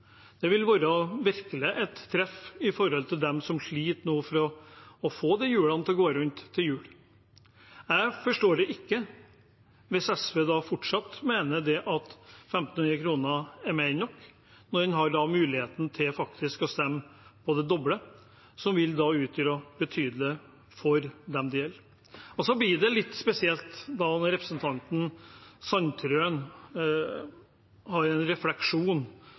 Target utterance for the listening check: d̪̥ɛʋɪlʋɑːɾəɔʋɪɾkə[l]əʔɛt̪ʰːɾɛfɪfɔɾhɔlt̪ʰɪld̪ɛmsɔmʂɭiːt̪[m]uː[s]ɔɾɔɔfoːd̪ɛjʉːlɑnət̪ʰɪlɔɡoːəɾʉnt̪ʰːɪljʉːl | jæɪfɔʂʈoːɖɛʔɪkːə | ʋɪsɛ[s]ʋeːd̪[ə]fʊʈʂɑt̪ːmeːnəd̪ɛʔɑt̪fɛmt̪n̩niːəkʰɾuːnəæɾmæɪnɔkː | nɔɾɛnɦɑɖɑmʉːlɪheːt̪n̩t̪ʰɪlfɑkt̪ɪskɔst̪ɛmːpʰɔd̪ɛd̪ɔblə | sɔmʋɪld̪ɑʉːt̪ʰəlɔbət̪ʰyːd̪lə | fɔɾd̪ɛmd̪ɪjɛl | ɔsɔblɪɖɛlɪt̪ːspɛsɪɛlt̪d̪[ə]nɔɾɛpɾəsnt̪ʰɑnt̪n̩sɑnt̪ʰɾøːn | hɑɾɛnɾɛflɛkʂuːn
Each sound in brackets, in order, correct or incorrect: correct, incorrect, incorrect, correct, incorrect, incorrect

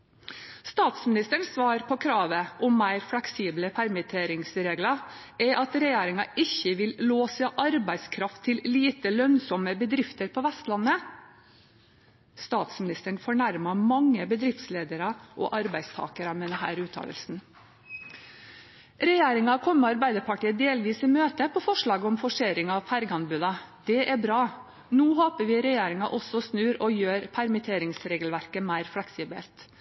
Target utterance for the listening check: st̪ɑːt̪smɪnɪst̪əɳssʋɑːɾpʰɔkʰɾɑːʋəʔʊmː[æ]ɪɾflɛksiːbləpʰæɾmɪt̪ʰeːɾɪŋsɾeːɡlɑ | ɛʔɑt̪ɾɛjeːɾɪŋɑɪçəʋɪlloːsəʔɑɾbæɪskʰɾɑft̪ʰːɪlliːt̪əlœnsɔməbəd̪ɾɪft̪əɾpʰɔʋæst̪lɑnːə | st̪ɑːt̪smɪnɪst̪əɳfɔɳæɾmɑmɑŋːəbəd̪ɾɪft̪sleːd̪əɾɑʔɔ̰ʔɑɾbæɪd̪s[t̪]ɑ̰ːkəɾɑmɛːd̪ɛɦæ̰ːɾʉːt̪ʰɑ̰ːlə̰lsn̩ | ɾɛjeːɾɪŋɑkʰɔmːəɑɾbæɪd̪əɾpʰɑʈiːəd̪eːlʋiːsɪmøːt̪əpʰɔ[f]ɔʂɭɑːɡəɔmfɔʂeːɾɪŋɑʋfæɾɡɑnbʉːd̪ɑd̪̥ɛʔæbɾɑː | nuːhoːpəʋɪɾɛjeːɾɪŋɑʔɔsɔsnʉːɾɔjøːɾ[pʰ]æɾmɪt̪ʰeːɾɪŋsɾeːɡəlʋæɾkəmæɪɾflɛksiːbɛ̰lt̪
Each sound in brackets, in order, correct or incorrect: correct, incorrect, correct, correct

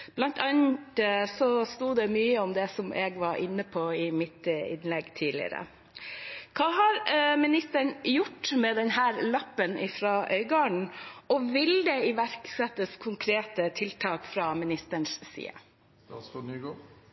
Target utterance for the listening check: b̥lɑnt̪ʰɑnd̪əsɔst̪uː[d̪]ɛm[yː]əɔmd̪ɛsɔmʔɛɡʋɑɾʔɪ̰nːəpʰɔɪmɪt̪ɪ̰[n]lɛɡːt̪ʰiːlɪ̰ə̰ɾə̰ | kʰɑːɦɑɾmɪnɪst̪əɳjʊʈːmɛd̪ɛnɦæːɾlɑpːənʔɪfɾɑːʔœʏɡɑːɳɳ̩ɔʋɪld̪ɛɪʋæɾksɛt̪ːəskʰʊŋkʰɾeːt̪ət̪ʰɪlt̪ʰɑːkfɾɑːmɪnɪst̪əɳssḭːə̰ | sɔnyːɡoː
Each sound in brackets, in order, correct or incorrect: correct, correct, correct

